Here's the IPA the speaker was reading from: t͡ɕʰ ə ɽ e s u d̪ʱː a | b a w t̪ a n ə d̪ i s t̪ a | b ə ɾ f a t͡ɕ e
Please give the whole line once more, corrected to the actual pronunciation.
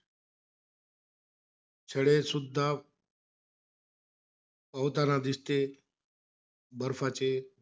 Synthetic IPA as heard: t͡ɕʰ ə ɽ e s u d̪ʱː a | p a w t̪ a n a d̪ i s t̪ e | b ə ɾ f a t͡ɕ e